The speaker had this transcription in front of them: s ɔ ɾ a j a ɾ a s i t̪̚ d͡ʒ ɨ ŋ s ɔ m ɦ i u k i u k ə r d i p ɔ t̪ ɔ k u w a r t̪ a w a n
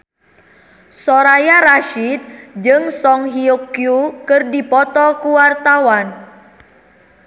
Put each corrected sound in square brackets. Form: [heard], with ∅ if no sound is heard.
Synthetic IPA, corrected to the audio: s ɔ ɾ a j a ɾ a [ʃ] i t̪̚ d͡ʒ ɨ ŋ s ɔ [ŋ] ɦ i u k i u k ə r d i p ɔ t̪ ɔ k u w a r t̪ a w a n